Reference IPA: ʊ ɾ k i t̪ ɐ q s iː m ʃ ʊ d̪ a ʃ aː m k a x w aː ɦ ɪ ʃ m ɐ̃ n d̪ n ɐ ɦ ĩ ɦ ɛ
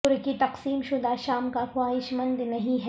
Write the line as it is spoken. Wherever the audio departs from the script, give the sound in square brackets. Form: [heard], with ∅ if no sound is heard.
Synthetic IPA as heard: ʊ ɾ k i t̪ ɐ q s iː m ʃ ʊ d̪ a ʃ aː m k a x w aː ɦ ɪ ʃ m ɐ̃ n d̪ n ɐ ɦ ĩ ɦ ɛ

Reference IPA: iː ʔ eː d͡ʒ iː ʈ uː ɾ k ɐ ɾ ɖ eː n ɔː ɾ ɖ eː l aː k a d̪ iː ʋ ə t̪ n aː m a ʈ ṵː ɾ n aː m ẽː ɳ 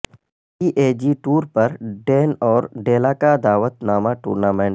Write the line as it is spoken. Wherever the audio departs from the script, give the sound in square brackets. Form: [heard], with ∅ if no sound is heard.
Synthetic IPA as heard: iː ʔ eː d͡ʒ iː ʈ uː ɾ [p] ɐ ɾ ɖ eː n ɔː ɾ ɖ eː l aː k a d̪ [aː] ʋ ə t̪ n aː m a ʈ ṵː ɾ n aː m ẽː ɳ

